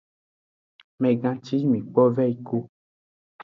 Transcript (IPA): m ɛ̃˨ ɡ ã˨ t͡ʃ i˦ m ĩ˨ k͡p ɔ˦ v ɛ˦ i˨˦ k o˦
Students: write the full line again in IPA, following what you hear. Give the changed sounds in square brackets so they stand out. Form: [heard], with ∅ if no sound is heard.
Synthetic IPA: m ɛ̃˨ ɡ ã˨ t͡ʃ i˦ m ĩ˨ k͡p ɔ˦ v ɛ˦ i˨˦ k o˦